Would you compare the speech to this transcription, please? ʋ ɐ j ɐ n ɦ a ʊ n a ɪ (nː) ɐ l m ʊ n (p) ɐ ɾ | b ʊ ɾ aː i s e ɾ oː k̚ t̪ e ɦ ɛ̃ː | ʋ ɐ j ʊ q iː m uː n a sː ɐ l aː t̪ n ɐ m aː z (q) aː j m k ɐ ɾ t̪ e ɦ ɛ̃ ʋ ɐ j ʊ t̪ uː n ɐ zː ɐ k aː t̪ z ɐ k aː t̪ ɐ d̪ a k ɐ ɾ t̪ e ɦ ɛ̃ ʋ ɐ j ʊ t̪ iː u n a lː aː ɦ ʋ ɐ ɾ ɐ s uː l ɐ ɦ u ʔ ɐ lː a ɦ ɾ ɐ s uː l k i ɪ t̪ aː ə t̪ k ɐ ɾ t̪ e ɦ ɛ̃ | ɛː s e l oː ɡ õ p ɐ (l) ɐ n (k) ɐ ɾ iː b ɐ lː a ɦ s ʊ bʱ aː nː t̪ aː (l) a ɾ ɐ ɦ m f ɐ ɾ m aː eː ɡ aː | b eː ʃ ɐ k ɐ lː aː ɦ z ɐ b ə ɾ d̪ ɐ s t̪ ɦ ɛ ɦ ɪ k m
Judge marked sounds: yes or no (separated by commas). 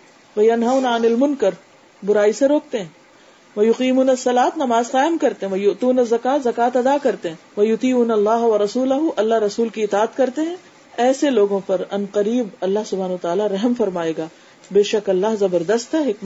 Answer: no, no, yes, no, no, yes